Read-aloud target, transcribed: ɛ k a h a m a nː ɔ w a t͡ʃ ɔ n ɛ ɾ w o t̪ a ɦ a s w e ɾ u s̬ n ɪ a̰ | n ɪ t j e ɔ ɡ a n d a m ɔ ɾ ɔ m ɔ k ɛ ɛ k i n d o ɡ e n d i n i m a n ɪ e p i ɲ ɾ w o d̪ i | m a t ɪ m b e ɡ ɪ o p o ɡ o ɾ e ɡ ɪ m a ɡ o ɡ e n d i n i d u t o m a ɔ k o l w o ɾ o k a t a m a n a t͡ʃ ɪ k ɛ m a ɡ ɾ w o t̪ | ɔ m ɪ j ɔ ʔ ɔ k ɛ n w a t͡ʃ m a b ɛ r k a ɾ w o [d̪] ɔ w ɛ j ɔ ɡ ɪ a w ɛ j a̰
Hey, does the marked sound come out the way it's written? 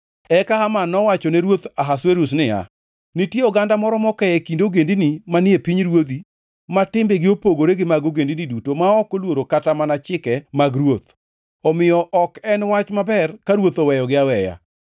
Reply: no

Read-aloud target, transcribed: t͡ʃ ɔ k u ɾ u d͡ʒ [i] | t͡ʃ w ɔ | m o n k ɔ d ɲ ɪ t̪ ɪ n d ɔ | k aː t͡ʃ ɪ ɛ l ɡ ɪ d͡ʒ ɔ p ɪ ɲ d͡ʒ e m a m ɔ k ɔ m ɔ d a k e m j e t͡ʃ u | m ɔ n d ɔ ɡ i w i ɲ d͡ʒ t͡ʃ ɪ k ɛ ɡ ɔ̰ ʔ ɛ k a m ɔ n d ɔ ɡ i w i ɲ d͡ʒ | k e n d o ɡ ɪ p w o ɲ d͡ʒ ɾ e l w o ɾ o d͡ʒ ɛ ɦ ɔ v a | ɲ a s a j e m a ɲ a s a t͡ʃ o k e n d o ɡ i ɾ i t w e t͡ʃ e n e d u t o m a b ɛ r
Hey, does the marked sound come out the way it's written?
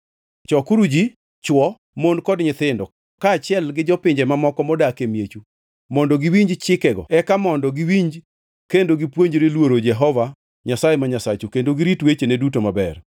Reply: yes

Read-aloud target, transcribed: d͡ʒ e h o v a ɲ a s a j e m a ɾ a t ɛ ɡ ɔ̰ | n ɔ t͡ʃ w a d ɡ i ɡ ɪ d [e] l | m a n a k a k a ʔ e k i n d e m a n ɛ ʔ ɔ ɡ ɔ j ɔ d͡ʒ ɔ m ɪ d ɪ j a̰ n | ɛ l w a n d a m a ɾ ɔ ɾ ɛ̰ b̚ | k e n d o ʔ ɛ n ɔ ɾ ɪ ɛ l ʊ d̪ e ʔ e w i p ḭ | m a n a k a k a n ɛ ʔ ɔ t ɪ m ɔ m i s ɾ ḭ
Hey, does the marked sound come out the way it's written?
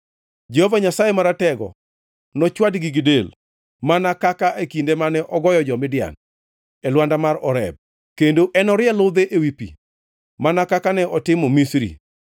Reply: yes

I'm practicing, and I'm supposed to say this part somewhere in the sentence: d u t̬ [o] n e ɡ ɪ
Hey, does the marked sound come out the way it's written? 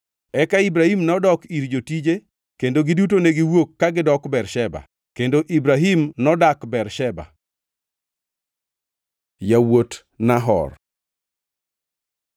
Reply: yes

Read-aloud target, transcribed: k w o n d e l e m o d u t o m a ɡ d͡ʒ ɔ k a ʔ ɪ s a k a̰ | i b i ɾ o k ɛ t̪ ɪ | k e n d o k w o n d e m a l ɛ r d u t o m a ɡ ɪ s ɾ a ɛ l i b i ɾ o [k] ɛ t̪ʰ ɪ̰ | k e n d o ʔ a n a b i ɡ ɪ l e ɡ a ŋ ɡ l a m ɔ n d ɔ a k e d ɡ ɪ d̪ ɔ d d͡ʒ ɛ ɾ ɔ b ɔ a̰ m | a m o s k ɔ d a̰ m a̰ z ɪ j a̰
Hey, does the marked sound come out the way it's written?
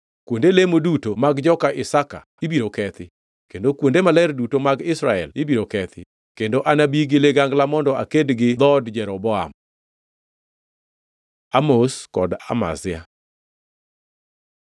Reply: yes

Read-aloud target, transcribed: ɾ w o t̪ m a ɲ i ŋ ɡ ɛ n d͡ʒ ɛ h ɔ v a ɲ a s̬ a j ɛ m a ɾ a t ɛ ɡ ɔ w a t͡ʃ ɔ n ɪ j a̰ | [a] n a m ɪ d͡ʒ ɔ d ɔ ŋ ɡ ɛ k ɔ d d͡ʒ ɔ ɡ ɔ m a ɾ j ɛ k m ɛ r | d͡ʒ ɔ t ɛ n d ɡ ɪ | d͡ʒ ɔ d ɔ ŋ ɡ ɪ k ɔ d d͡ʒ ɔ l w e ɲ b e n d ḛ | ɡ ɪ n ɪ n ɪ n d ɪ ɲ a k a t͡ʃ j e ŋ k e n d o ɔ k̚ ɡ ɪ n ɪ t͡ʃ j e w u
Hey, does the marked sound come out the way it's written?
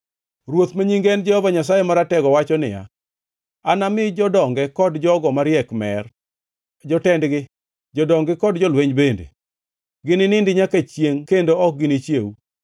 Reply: yes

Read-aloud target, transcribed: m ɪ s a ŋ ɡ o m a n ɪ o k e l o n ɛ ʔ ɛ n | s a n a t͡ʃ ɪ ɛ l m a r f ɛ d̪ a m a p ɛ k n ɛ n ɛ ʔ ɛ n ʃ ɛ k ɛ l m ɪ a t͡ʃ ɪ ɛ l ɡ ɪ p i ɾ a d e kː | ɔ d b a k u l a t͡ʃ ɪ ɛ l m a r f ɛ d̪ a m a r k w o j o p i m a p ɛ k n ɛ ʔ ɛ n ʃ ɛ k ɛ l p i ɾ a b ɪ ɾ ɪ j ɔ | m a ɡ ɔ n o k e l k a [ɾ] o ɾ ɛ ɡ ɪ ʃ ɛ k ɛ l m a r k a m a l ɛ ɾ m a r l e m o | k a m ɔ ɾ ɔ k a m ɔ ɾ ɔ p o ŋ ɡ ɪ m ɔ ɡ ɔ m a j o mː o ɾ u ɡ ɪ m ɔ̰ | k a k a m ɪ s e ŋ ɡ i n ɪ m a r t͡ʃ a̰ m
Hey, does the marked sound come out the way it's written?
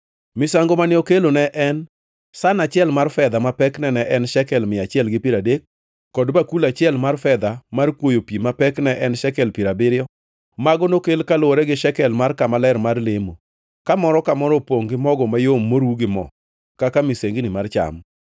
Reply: no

